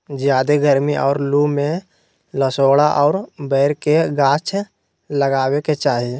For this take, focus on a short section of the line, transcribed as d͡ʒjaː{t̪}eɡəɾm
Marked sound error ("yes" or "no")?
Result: yes